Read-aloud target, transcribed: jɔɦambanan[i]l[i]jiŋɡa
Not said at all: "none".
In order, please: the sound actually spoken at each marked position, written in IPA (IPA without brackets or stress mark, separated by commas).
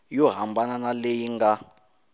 a, e